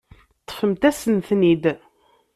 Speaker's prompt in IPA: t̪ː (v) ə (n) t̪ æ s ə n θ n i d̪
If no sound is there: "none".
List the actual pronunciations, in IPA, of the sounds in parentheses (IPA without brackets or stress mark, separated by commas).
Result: f, m